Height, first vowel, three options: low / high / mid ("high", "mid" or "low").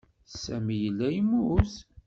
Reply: low